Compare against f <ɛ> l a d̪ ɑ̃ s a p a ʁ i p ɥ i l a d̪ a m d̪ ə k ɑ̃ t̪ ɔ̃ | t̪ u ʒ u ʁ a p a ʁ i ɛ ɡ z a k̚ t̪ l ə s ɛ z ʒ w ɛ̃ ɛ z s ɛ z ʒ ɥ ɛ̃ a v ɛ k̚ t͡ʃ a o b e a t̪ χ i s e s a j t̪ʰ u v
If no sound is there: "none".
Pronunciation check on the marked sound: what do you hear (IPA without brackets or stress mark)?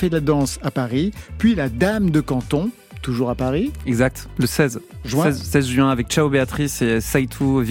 ɛ